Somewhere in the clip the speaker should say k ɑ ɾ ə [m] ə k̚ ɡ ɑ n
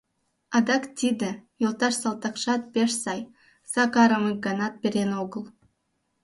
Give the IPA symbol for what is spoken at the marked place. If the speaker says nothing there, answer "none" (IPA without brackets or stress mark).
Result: m